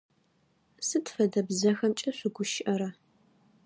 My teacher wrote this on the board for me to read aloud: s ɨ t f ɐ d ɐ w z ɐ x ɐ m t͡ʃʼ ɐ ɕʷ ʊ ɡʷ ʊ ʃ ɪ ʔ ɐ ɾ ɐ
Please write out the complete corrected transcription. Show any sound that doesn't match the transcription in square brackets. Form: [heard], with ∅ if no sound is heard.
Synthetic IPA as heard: s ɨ t f ɐ d ɐ [b] z ɐ x ɐ m t͡ʃʼ ɐ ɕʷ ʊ ɡʷ ʊ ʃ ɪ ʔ ɐ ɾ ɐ